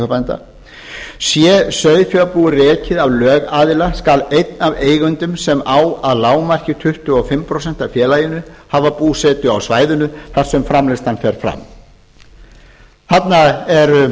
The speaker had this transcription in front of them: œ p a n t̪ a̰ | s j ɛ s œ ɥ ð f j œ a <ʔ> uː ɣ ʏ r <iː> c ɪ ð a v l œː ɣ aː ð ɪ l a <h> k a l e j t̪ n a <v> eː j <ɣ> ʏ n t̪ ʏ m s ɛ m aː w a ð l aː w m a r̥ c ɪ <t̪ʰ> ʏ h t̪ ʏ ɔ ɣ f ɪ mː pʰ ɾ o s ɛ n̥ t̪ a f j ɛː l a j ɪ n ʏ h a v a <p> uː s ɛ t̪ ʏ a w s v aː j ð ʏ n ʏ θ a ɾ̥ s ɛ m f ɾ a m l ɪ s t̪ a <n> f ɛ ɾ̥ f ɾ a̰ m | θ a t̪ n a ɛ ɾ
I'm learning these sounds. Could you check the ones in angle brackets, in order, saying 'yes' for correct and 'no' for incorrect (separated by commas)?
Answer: no, no, no, yes, yes, yes, yes, yes